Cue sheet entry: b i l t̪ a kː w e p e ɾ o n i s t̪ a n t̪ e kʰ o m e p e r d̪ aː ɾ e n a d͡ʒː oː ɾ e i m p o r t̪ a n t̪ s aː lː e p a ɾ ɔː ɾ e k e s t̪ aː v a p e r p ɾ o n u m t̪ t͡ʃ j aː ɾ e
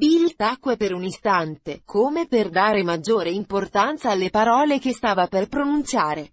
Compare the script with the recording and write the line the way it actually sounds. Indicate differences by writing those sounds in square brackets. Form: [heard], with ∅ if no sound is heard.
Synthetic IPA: b i l t̪ a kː w e p e ɾ [u] n i s t̪ a n t̪ e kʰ o m e p e r d̪ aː ɾ e [m] a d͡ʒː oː ɾ e i m p o r t̪ a n t̪ s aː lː e p a ɾ ɔː [l] e k e s t̪ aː v a p e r p ɾ o n u [n] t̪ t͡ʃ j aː ɾ e